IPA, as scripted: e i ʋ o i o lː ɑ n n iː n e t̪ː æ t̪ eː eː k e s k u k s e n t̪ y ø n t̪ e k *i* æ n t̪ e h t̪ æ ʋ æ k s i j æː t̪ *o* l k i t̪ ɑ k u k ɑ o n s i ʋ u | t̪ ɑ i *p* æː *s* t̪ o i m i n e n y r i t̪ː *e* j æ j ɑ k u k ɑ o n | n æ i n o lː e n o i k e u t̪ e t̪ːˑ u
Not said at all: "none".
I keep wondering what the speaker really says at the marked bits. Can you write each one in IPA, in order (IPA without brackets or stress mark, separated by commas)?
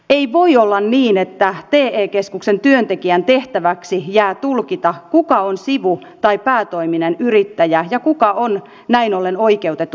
i, u, p, none, æ